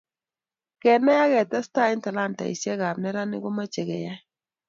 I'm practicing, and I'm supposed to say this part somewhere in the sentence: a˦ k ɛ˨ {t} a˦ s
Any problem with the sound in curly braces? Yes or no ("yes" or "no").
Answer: no